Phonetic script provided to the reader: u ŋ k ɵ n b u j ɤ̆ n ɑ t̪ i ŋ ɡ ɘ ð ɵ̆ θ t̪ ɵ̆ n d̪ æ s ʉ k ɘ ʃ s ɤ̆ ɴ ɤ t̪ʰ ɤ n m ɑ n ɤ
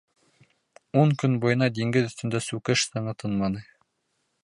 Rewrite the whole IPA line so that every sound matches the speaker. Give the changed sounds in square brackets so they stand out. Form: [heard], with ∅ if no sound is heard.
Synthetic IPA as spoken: u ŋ k ɵ n b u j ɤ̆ n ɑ [d̪] i ŋ ɡ ɘ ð ɵ̆ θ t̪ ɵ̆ n d̪ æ s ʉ k ɘ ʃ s ɤ̆ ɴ ɤ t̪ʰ ɤ n m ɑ n ɤ